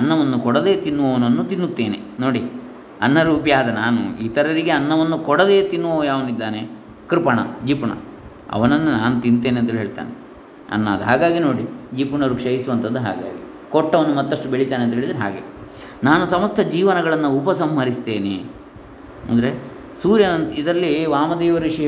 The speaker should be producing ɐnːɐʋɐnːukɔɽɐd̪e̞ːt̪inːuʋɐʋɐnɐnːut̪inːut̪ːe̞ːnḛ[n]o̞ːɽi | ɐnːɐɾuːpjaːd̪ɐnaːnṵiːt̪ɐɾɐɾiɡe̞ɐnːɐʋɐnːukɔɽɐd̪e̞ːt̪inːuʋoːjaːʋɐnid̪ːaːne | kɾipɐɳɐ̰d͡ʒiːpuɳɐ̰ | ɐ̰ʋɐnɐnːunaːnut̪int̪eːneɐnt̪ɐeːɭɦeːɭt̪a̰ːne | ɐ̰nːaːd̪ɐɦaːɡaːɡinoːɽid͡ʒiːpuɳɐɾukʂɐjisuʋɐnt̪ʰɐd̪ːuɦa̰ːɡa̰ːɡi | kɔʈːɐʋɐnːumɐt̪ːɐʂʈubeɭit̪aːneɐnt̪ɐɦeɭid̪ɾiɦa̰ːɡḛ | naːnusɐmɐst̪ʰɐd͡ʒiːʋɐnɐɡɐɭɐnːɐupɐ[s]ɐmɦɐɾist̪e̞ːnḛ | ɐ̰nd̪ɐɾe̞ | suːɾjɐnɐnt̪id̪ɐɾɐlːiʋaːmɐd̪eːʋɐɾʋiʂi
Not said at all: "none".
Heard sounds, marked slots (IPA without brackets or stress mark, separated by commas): n, s